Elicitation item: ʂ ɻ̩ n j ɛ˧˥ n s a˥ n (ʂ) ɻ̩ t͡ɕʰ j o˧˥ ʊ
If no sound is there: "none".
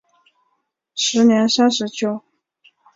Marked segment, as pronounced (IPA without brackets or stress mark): ʂ